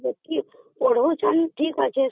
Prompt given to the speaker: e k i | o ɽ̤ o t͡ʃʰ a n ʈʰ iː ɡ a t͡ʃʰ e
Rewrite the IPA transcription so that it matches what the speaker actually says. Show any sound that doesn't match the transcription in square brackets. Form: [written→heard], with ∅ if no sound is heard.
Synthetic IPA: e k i | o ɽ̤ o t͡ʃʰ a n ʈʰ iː [ɡ→k] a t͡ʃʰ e

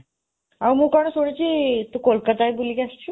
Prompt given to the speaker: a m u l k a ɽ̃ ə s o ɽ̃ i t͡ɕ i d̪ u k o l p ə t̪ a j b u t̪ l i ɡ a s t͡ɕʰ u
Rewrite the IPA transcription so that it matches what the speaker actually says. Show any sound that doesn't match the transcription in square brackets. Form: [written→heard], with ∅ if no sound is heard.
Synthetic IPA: a m u [l→∅] k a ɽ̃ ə s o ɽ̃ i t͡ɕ i [d̪→t̪] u k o l [p→k] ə t̪ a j b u [t̪→∅] l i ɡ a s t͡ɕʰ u

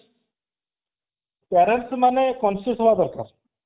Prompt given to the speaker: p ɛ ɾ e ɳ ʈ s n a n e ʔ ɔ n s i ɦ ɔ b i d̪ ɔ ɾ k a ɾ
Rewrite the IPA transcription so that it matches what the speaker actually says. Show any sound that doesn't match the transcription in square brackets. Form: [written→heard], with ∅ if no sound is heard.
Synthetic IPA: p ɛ ɾ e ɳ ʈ s [n→m] a n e [ʔ→k] ɔ n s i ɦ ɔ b [i→a] d̪ ɔ ɾ k a ɾ

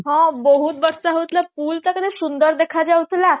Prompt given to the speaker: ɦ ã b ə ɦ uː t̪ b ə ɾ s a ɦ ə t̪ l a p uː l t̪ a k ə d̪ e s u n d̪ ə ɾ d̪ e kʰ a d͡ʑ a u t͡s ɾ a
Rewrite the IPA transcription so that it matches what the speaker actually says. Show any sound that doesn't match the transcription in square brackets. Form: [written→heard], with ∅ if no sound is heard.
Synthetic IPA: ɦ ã b ə ɦ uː t̪ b ə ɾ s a ɦ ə t̪ l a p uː l t̪ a k ə d̪ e s u n d̪ ə ɾ d̪ e kʰ a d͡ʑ a u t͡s [ɾ→l] a

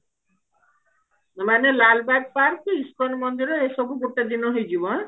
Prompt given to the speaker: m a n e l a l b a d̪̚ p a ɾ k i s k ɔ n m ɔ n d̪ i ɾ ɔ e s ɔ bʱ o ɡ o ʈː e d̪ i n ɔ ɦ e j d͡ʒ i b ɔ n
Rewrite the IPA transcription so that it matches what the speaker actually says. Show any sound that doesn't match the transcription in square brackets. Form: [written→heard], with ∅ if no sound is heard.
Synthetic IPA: m a n e l a l b a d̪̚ p a ɾ k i s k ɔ n m ɔ n d̪ i ɾ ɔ e s ɔ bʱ [o→u] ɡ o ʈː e d̪ i n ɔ ɦ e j d͡ʒ i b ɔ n

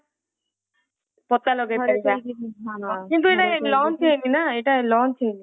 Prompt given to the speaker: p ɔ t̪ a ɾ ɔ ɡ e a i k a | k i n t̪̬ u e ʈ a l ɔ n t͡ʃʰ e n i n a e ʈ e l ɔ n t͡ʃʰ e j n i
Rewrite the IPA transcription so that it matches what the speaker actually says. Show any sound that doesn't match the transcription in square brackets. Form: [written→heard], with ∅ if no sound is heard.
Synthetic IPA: p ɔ t̪ a [ɾ→l] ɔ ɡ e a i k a | k i n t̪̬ u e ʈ a l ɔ n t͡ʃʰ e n i n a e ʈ [e→a] l ɔ n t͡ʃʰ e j n i

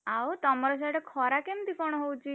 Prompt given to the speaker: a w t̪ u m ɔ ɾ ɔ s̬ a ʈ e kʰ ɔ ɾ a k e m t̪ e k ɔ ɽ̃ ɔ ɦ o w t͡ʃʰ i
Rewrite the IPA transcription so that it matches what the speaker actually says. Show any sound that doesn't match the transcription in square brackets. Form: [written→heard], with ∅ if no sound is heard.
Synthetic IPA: a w t̪ [u→ɔ] m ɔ ɾ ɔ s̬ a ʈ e kʰ ɔ ɾ a k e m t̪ [e→i] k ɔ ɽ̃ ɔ ɦ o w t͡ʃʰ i

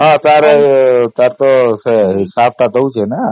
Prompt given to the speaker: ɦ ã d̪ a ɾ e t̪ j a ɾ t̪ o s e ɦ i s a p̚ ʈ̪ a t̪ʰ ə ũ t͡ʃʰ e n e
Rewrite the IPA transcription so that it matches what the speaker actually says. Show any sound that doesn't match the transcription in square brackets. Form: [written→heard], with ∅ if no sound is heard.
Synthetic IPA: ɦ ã [d̪→t̪] a ɾ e t̪ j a ɾ t̪ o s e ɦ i s a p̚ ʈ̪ a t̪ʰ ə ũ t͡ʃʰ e n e

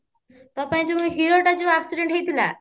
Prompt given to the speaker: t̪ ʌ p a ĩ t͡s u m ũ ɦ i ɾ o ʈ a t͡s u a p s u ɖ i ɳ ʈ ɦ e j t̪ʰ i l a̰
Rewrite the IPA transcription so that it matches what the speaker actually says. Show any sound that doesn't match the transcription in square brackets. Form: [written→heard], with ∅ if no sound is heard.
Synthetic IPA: t̪ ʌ p a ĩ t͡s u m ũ ɦ i ɾ o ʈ a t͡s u a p s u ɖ [i→e] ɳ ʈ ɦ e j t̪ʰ i l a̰

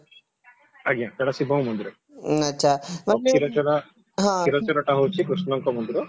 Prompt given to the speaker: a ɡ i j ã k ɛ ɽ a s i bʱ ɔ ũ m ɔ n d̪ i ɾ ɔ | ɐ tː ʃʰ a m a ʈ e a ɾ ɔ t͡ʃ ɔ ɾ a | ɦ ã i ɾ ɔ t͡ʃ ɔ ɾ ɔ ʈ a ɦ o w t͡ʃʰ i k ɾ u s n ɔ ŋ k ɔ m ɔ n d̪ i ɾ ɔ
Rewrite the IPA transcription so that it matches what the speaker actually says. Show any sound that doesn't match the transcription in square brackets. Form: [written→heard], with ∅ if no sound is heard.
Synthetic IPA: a ɡ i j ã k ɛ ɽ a s i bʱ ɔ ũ m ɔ n d̪ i ɾ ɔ | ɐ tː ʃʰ a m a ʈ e [a→i] ɾ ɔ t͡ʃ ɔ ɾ a | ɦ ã i ɾ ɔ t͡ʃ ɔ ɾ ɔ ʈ a ɦ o w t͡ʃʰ i k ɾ u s n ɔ ŋ k ɔ m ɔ n d̪ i ɾ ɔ

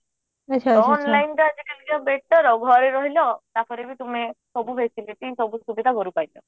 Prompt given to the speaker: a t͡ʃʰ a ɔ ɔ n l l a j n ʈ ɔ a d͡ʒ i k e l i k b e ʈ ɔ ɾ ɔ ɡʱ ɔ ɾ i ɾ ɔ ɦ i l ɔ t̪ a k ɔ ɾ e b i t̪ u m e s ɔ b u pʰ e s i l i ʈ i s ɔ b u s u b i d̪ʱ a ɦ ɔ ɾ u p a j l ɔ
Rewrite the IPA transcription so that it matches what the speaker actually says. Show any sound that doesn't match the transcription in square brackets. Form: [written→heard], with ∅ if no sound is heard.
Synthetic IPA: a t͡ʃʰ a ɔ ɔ n l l a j n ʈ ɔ a d͡ʒ i k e l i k b e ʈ ɔ ɾ ɔ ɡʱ ɔ ɾ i ɾ ɔ ɦ i l ɔ t̪ a [k→p] ɔ ɾ e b i t̪ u m e s ɔ b u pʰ e s i l i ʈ i s ɔ b u s u b i d̪ʱ a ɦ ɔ ɾ u p a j l ɔ

